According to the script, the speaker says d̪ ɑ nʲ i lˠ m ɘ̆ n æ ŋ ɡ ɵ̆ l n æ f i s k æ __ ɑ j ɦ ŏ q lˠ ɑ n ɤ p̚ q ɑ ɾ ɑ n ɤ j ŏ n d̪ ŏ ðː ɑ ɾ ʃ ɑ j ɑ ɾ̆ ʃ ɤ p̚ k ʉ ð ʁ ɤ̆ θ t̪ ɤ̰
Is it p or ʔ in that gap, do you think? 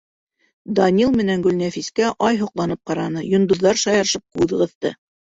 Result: ʔ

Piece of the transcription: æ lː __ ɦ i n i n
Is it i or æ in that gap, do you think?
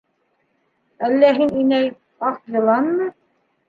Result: æ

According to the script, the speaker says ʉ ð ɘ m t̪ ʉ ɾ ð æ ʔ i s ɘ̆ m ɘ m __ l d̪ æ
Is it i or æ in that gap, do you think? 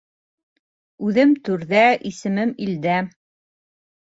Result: i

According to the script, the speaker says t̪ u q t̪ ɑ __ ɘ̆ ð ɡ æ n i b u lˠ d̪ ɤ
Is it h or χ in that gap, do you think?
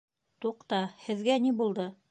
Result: h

